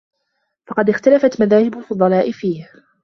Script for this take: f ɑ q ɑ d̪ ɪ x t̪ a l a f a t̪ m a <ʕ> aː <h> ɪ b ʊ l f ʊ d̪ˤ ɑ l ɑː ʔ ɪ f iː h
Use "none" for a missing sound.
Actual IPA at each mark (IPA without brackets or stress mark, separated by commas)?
ð, h